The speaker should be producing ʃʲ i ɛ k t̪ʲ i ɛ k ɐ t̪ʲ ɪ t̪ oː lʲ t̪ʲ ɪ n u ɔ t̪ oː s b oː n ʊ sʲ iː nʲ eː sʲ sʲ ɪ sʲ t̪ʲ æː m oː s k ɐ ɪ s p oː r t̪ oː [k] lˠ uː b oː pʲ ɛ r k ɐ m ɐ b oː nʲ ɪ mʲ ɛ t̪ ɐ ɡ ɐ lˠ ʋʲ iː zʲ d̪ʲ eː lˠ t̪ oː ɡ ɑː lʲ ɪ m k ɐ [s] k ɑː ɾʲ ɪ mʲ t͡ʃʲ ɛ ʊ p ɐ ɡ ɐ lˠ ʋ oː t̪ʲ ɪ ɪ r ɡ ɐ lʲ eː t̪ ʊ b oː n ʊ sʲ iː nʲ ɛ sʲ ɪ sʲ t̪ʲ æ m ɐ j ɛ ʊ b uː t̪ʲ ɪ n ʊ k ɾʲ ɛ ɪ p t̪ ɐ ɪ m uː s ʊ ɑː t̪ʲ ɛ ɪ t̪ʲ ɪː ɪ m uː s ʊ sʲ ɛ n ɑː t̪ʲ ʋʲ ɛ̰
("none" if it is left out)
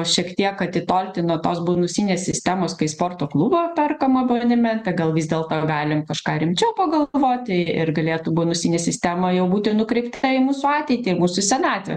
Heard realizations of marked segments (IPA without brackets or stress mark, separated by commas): k, ʃ